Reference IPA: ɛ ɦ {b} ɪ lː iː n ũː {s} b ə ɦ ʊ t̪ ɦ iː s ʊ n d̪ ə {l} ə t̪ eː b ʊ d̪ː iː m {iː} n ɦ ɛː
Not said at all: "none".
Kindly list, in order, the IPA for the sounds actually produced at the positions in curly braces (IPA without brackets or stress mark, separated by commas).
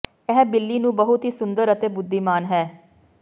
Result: b, none, ɾ, aː